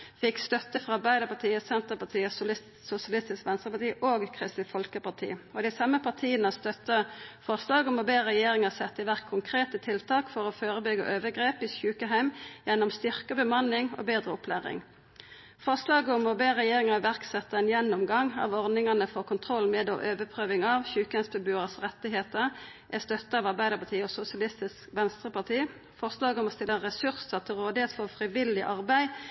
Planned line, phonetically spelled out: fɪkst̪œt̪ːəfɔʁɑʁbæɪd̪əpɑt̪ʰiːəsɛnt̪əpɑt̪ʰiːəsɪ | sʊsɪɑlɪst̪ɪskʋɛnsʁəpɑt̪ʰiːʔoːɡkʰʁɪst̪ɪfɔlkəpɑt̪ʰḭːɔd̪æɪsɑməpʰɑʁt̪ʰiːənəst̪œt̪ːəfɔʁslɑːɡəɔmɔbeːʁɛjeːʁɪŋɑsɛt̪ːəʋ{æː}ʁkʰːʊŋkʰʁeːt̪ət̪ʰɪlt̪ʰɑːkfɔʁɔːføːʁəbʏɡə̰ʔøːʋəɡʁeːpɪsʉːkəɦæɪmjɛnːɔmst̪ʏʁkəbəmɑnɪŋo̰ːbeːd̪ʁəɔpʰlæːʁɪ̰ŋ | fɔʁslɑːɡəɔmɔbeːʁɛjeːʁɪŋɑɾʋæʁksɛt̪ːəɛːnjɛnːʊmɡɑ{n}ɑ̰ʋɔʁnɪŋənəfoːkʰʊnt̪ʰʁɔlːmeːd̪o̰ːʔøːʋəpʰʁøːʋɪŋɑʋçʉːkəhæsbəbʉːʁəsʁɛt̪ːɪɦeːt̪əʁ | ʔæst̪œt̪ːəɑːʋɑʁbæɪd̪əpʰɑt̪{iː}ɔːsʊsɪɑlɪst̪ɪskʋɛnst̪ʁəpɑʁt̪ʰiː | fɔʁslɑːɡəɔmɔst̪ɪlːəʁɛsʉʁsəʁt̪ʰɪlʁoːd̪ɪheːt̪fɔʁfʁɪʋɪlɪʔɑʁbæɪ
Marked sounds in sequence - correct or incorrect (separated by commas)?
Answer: incorrect, incorrect, correct